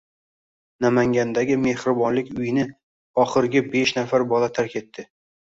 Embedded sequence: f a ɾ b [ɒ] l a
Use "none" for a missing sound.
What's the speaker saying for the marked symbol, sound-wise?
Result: ɒ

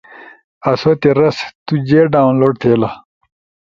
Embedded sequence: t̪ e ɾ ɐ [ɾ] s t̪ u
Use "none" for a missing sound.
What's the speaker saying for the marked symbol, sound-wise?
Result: none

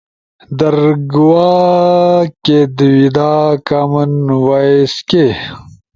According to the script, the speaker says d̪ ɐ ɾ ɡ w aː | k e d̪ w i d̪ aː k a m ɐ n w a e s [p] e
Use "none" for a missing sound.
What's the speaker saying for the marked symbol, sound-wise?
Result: k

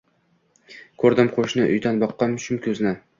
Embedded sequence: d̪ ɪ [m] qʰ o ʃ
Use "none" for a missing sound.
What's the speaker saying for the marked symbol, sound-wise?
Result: m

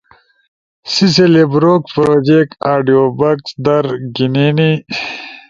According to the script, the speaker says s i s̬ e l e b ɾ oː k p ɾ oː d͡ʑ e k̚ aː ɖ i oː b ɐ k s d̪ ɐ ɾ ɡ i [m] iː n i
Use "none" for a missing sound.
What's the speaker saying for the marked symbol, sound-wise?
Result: n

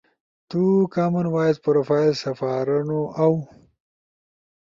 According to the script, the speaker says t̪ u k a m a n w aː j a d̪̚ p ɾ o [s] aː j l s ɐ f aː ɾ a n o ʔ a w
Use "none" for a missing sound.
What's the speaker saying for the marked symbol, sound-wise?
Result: f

